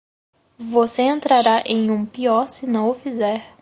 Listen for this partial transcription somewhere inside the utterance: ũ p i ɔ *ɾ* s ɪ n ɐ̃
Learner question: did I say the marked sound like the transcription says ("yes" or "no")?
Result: yes